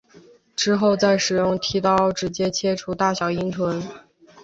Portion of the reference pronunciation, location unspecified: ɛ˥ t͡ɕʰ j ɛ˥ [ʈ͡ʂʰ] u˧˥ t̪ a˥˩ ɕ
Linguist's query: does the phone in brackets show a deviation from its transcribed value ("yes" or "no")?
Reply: no